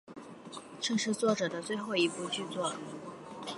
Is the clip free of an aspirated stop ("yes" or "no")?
yes